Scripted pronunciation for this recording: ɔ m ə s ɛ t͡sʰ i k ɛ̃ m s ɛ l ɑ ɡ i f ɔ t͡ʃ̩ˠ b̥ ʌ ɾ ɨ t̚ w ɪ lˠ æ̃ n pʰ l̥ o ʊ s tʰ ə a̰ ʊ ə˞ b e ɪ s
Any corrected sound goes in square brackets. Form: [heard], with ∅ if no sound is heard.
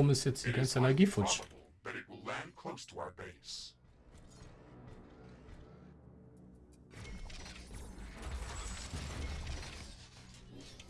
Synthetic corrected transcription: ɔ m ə s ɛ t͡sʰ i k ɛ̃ [n] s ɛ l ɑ ɡ i f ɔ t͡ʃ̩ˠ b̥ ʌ ɾ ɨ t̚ w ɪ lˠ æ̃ n [kʰ] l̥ o ʊ s tʰ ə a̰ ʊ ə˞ b e ɪ s